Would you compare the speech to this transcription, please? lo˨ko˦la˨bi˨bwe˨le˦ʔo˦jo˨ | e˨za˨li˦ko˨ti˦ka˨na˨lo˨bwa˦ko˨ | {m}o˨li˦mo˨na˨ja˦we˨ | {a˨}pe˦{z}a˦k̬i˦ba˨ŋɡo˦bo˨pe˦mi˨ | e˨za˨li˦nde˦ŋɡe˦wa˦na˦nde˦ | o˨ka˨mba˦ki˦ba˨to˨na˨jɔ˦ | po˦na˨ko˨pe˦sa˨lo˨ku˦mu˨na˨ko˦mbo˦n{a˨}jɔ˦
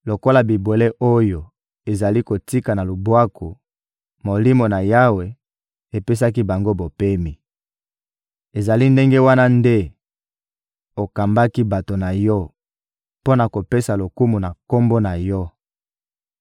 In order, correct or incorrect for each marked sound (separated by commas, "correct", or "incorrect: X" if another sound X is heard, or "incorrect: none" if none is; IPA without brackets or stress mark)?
correct, incorrect: e˨, incorrect: s, correct